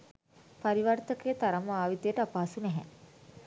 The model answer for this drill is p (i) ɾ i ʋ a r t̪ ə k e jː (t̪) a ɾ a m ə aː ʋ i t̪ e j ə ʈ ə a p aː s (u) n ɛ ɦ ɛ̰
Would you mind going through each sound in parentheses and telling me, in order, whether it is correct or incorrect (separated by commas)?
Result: incorrect, correct, correct